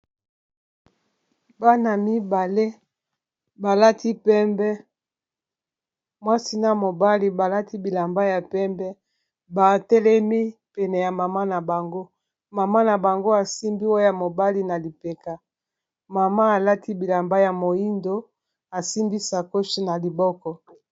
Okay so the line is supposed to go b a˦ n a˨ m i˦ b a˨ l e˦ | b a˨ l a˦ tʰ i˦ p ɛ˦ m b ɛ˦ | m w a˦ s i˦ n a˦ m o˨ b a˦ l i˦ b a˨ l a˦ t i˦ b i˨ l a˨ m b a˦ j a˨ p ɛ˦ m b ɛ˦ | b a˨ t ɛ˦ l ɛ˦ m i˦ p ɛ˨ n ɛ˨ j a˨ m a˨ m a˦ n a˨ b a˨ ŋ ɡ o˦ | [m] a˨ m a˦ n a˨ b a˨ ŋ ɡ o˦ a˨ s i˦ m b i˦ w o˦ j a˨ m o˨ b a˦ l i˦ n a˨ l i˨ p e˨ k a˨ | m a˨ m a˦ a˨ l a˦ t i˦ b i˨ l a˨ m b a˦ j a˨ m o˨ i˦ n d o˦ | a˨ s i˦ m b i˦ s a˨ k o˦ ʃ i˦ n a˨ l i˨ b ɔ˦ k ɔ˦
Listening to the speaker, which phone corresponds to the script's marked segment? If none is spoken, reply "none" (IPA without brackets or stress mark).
m